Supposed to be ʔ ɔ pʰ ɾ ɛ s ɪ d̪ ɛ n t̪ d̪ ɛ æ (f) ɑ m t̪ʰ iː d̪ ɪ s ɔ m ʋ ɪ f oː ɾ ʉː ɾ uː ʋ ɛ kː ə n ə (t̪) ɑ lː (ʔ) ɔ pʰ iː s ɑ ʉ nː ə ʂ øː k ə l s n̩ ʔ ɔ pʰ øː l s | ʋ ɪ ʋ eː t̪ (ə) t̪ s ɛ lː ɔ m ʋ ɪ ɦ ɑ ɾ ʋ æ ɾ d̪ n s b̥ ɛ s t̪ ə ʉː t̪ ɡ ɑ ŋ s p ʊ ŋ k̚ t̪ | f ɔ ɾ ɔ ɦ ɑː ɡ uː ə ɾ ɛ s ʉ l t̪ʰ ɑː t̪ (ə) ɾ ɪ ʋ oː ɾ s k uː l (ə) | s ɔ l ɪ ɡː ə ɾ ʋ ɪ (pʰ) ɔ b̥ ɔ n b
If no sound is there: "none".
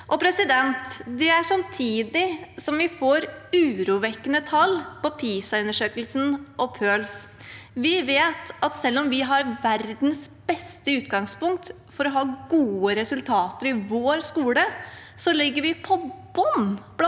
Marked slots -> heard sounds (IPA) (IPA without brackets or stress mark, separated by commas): ʂ, t̪ʰ, p, ɑ, ə, ə, pʰ